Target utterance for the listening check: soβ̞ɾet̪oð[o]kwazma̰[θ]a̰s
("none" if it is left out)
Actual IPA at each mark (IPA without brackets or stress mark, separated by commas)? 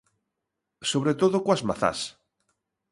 o, θ